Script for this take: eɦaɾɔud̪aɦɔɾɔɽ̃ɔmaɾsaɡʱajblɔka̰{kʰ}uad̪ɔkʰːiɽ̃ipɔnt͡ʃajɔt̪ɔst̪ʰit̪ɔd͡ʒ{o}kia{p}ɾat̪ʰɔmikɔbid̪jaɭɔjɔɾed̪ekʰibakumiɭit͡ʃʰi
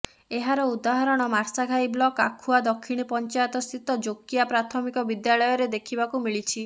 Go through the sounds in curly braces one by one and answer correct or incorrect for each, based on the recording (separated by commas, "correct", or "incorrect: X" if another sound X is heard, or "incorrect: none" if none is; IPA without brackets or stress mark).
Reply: correct, correct, correct